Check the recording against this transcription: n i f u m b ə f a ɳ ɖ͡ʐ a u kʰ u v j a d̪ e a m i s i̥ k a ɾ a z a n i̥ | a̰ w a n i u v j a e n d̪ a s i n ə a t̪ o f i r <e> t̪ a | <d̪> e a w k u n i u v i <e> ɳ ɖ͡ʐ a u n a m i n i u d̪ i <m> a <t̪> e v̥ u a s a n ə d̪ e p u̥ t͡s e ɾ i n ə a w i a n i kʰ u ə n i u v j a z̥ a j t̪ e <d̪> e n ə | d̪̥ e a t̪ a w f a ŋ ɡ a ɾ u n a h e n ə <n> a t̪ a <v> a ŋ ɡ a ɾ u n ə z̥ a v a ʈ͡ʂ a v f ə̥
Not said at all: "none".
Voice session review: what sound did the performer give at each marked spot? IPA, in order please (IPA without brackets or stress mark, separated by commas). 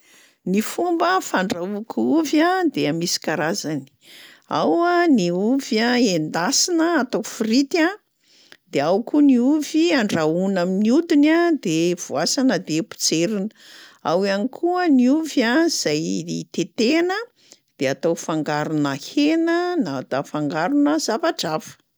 i, d̪, a, n, d̪, t̪, n, f